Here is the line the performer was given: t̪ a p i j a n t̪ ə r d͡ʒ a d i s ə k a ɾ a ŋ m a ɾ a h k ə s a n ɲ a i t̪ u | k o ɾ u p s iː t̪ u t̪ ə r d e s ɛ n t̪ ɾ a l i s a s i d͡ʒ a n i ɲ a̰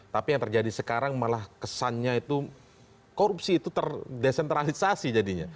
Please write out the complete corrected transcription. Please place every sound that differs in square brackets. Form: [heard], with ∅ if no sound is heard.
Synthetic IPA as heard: t̪ a p i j a [ŋ] t̪ ə r d͡ʒ a d i s ə k a ɾ a ŋ m a [l] a h k ə s a n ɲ a i t̪ u | k o ɾ u p s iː t̪ u t̪ ə r d e s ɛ n t̪ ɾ a l i s a s i d͡ʒ a [d] i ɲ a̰